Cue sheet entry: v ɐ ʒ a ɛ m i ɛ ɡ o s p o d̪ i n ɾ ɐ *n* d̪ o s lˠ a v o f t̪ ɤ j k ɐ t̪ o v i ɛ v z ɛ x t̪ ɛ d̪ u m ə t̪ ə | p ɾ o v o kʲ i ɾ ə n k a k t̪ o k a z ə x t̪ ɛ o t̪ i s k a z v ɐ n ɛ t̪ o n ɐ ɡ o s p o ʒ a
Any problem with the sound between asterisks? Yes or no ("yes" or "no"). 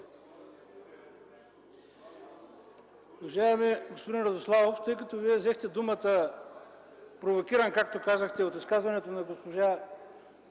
yes